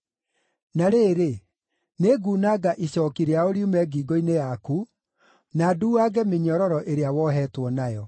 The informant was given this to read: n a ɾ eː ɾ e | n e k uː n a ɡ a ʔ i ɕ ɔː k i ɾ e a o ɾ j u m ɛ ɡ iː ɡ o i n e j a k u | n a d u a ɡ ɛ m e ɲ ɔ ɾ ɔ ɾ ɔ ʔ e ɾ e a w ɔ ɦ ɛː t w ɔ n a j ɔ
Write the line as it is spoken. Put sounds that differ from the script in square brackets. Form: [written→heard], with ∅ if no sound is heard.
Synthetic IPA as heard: n a ɾ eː ɾ e | n e [k→ɡ] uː n a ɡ a ʔ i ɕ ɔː k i ɾ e a o ɾ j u m ɛ ɡ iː ɡ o i n e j a k u | n a d u a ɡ ɛ m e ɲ ɔ ɾ ɔ ɾ ɔ ʔ e ɾ e a w ɔ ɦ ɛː t w ɔ n a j ɔ